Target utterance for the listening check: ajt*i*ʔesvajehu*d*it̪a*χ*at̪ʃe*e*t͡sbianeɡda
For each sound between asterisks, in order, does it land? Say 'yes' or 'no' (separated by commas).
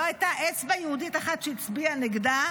no, yes, yes, no